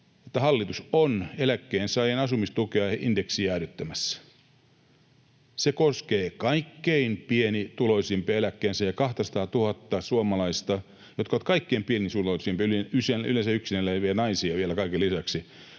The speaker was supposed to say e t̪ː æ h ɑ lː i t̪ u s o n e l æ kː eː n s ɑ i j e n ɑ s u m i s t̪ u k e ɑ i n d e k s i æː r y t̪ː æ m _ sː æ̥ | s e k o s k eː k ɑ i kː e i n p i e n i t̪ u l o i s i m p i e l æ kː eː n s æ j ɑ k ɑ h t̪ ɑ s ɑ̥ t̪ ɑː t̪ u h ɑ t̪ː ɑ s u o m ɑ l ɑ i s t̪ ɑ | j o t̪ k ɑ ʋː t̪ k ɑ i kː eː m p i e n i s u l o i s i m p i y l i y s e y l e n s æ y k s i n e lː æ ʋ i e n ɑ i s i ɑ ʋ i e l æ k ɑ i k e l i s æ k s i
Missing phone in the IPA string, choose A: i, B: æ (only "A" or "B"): B